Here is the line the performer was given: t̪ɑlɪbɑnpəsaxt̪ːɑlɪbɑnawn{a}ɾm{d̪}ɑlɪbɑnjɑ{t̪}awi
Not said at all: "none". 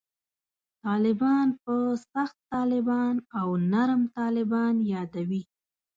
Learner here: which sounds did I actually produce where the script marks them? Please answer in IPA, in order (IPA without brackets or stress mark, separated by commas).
a, t̪, d̪